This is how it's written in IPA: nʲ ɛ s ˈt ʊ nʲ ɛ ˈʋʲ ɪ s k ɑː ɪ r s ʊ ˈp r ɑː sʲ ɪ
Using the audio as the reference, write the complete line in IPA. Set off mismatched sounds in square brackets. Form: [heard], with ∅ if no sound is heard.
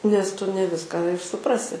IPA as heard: nʲ ɛ s ˈt ʊ nʲ ɛ ˈʋʲ ɪ s k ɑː ɪ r s ʊ ˈp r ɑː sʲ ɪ